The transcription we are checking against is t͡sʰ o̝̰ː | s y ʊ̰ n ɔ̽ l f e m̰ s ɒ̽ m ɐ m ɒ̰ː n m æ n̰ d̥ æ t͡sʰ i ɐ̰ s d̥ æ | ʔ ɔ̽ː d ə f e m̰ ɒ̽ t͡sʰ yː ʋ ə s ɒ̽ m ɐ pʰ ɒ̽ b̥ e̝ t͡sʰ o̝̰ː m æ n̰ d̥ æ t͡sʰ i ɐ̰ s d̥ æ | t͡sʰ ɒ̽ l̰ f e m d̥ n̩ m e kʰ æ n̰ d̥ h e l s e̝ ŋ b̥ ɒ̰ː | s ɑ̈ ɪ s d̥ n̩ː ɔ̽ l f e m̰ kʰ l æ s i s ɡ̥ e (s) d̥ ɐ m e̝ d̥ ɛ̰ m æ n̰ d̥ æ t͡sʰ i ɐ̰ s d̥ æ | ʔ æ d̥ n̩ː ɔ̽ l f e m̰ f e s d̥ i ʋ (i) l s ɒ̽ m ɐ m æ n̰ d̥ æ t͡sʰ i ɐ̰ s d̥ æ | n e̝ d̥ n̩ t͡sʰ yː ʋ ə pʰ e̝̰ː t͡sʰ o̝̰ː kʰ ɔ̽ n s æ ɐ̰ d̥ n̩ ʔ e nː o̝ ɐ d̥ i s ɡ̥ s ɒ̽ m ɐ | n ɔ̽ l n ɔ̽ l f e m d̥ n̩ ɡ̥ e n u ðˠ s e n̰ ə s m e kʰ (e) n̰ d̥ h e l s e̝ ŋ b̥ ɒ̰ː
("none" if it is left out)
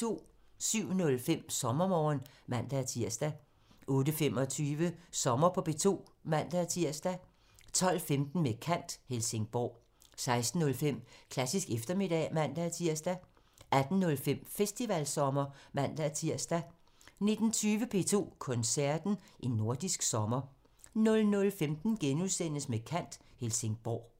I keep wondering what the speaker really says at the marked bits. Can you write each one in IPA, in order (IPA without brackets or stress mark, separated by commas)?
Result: f, æ, æ